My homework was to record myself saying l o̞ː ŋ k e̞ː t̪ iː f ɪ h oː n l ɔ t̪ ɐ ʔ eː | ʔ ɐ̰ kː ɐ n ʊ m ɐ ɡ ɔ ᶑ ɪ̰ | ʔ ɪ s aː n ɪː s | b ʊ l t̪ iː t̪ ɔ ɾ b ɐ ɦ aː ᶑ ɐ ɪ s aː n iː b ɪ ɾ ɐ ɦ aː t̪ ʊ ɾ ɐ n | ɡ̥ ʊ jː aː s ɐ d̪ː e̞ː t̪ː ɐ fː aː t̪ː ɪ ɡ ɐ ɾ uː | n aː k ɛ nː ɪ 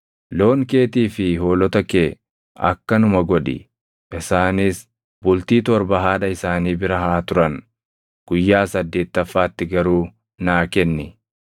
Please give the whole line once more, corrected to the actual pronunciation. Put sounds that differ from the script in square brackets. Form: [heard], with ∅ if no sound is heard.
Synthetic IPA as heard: l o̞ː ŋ k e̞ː t̪ iː f ɪ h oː [∅] l ɔ t̪ ɐ [k] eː | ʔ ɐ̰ kː ɐ n ʊ m ɐ ɡ ɔ ᶑ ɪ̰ | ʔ ɪ s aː n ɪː s | b ʊ l t̪ iː t̪ ɔ ɾ b ɐ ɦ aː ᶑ ɐ ɪ s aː n iː b ɪ ɾ ɐ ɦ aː t̪ ʊ ɾ ɐ n | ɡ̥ ʊ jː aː s ɐ d̪ː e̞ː t̪ː ɐ fː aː t̪ː ɪ ɡ ɐ ɾ uː | n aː k ɛ nː ɪ